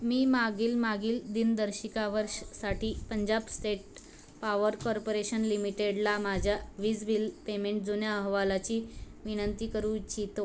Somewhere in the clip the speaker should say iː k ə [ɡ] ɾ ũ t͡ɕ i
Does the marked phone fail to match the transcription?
yes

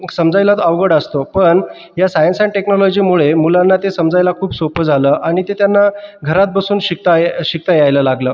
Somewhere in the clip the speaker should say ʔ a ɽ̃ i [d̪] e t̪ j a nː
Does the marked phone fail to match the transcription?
yes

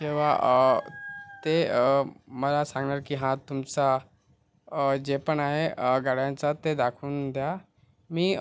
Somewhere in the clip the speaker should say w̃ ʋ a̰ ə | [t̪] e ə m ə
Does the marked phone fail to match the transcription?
no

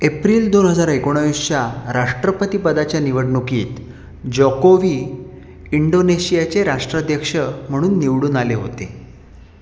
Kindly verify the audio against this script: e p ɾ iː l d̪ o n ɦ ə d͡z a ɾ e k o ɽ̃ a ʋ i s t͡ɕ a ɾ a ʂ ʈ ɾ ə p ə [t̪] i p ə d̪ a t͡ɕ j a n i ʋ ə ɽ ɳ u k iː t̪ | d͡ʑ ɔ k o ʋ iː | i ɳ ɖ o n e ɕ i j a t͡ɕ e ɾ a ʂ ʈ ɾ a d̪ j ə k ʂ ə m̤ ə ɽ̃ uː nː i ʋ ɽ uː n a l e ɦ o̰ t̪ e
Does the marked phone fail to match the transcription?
no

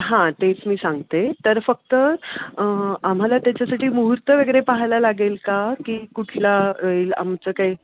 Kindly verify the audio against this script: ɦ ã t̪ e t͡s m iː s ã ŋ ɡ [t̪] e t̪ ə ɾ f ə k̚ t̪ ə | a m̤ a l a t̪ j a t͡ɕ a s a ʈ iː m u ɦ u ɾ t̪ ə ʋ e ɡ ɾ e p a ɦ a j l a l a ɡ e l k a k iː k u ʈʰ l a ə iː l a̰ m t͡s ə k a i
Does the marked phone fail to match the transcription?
no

